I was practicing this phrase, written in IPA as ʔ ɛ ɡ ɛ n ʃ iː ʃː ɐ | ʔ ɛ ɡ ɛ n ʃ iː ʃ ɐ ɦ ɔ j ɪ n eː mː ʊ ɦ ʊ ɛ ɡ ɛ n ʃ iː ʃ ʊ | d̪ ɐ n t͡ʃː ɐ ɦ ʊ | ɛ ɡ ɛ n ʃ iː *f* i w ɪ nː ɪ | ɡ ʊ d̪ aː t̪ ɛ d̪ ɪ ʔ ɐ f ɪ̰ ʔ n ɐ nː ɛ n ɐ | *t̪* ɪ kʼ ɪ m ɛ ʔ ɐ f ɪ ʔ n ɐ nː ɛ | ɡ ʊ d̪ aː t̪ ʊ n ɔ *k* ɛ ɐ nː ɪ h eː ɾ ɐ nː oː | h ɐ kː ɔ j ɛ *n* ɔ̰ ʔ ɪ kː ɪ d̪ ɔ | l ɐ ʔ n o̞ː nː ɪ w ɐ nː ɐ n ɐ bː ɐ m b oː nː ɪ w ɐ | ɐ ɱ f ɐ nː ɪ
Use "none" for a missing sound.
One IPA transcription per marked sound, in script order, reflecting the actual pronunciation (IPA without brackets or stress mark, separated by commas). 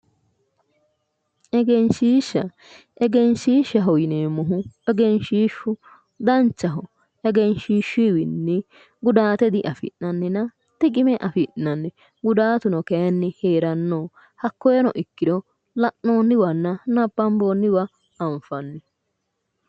ʃ, t̪, k, n